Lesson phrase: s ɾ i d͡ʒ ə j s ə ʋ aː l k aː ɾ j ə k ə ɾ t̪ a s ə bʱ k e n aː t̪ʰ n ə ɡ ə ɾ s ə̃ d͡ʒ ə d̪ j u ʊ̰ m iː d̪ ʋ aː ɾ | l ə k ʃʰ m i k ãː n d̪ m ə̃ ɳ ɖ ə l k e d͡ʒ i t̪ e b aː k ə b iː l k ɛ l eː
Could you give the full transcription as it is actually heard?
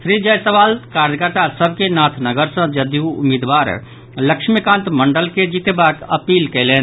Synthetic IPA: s ɾ i d͡ʒ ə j s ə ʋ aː l k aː ɾ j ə k ə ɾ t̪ a s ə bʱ k e n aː t̪ʰ n ə ɡ ə ɾ s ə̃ d͡ʒ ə d̪ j u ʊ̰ m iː d̪ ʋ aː ɾ | l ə k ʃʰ m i k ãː n t̪ m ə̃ ɳ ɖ ə l k e d͡ʒ i t̪ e b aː k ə p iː l k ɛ l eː